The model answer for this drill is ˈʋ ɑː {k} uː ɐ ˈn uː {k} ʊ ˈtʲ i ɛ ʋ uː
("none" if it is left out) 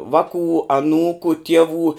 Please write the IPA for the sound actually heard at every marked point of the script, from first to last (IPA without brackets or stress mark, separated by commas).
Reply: k, k